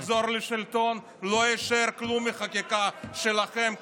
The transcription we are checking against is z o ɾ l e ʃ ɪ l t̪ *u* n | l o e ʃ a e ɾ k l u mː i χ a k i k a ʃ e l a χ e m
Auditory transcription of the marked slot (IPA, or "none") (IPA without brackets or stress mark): o